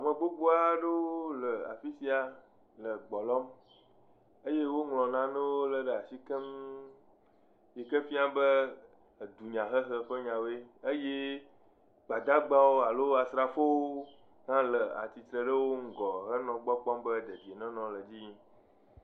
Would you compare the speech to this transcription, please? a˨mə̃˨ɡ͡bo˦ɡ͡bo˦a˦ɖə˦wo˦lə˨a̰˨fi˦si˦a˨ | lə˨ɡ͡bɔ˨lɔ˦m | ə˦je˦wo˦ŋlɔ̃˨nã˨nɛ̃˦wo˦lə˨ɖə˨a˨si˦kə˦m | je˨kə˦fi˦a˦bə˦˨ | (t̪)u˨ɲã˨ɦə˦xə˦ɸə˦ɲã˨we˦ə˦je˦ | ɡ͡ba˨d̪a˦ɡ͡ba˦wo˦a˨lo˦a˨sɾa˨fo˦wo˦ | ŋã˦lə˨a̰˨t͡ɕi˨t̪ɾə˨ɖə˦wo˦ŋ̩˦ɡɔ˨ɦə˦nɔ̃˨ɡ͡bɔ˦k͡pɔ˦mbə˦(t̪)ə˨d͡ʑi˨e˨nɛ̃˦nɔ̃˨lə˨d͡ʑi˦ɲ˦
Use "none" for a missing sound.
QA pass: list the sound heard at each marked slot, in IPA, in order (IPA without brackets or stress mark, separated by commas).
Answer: d̪, d̪